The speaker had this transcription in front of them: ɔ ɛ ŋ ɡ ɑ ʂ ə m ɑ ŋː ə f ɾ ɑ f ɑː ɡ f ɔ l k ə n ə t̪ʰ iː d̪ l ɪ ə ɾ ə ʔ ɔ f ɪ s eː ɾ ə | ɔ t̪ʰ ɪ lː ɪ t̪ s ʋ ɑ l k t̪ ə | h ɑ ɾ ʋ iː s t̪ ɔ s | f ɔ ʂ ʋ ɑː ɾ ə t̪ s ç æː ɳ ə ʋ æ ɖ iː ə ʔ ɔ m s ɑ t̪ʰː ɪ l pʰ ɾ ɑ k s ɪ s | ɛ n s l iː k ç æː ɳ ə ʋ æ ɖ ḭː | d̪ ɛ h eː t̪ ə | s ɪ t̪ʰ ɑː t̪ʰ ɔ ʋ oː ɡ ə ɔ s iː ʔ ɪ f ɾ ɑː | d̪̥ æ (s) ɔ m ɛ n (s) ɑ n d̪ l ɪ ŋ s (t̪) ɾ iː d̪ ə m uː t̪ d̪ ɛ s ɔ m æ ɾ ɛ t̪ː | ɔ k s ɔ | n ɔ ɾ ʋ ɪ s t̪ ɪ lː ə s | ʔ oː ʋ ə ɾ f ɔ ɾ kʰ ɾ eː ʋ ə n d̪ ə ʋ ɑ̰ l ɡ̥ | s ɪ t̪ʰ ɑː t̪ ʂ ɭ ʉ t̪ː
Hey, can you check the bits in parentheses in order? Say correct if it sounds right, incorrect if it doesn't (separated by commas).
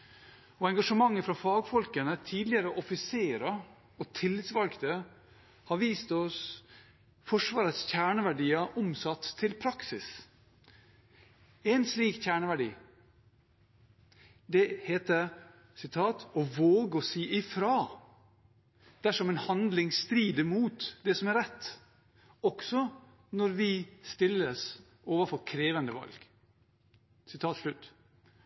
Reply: incorrect, incorrect, correct